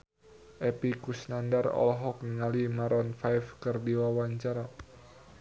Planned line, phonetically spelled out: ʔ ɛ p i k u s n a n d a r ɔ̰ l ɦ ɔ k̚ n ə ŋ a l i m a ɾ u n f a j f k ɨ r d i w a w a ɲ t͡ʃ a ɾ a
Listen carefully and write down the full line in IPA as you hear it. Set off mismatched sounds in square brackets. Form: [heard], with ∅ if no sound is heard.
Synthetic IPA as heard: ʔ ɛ p i k u s n a n d a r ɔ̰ l ɦ ɔ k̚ n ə ŋ a l i m a ɾ [ɔ] n f a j f k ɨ r d i w a w a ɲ t͡ʃ a ɾ a